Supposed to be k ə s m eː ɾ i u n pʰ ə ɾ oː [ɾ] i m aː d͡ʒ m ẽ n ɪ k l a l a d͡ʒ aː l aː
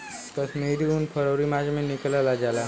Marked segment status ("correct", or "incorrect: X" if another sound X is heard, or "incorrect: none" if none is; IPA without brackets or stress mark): correct